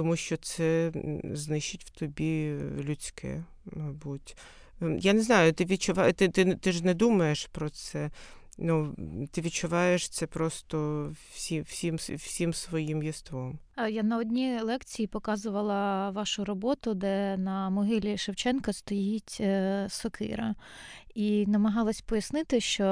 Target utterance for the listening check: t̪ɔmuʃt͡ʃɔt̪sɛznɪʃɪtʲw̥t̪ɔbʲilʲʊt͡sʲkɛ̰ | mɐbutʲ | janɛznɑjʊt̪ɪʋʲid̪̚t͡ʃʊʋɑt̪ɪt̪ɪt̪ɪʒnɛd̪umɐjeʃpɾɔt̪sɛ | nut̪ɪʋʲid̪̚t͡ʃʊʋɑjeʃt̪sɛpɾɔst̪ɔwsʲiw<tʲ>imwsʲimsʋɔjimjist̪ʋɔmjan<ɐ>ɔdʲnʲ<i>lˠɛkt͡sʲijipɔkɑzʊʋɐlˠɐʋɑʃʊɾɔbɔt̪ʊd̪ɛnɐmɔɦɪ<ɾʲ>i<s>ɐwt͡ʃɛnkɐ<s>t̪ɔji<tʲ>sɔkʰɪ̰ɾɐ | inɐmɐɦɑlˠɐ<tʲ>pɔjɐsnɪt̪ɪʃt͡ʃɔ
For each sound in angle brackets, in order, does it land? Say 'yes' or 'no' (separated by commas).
no, yes, yes, no, no, yes, yes, no